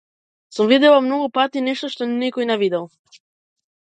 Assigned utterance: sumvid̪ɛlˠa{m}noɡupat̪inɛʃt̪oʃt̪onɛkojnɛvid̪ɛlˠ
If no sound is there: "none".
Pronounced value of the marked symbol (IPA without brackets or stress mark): m